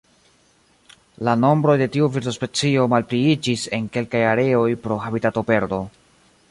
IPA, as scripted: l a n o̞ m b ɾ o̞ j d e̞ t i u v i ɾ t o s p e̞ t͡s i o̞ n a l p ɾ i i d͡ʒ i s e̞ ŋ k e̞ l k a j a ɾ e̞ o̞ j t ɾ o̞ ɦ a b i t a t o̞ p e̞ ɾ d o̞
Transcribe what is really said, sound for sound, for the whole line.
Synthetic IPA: l a n o̞ m b ɾ o̞ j d e̞ t i u v i ɾ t o s p e̞ t͡s i o̞ m a l p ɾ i i d͡ʒ i s e̞ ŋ k e̞ l k a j a ɾ e̞ o̞ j p ɾ o̞ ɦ a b i t a t o̞ p e̞ ɾ d o̞